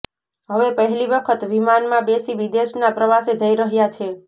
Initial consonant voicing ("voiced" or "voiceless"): voiced